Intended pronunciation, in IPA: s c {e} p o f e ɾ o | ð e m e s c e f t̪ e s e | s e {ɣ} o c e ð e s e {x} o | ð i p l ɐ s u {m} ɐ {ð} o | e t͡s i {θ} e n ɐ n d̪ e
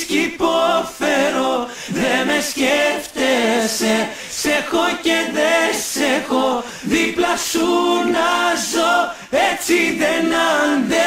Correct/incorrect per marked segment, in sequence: incorrect: i, incorrect: x, correct, incorrect: n, incorrect: z, incorrect: ð

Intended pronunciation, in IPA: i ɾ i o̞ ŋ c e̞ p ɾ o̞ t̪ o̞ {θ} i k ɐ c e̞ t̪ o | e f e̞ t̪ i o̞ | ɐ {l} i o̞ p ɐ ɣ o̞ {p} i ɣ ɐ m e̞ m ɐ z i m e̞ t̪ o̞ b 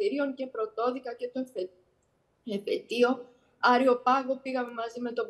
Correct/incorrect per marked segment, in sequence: incorrect: ð, incorrect: ɾ, correct

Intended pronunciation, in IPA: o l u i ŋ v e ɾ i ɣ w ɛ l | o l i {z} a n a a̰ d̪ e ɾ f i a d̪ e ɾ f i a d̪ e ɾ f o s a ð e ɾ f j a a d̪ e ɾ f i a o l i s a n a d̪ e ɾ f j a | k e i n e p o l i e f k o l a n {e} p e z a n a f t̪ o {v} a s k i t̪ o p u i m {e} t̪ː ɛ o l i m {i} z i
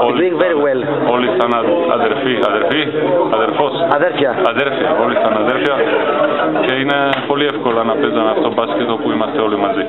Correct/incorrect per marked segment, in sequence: incorrect: s, incorrect: a, incorrect: b, incorrect: a, incorrect: a

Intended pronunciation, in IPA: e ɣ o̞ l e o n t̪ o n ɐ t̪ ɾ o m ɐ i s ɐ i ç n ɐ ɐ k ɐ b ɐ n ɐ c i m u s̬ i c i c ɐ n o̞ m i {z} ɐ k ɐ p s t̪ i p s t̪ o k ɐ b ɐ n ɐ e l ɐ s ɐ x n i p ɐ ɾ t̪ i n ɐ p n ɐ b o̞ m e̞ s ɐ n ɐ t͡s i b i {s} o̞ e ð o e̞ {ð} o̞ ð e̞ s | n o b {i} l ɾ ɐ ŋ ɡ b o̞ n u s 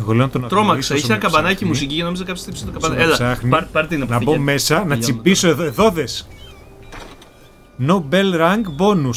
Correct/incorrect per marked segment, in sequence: correct, correct, correct, incorrect: e

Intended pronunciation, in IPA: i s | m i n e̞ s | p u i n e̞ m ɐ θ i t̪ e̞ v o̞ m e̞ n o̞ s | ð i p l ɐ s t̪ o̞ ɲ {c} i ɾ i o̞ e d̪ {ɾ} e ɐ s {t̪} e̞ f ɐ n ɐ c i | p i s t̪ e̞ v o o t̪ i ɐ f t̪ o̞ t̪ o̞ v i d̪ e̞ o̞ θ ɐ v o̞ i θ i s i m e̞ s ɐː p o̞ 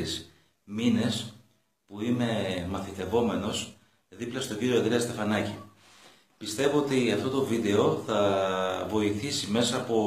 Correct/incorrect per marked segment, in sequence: incorrect: ɟ, correct, correct

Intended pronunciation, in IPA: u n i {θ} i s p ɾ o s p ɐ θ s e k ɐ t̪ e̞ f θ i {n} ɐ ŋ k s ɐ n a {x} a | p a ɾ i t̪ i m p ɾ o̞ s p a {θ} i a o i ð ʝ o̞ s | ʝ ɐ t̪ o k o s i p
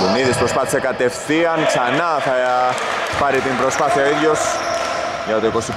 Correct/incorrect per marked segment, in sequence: incorrect: ð, incorrect: none, incorrect: θ, correct

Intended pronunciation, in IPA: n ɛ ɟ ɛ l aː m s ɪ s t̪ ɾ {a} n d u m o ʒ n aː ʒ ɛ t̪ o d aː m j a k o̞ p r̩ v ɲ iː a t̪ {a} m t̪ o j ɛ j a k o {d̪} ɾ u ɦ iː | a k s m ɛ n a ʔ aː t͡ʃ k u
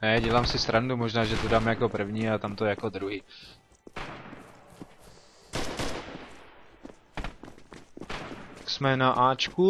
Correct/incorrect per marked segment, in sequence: correct, correct, correct

